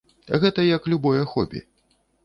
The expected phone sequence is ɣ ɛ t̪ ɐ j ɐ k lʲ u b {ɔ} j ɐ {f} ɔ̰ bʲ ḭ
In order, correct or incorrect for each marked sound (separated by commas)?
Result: correct, incorrect